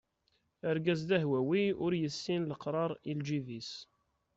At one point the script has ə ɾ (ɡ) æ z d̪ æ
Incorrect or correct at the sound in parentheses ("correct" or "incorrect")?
correct